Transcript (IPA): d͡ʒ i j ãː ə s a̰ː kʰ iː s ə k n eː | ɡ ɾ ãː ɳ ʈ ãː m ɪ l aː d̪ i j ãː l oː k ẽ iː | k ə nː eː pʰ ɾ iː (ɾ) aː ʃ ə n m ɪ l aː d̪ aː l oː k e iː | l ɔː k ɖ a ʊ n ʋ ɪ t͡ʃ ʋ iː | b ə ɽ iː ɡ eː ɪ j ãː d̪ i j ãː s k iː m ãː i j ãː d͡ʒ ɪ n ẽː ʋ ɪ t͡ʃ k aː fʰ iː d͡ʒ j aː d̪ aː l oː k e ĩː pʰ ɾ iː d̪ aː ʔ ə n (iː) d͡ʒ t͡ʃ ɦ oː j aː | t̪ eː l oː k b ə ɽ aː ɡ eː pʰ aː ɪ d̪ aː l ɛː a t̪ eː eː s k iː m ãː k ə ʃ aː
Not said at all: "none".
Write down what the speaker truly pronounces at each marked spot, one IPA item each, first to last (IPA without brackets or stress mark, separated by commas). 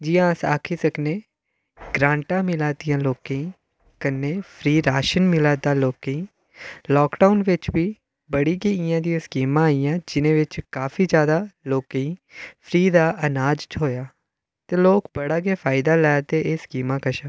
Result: ɾ, aː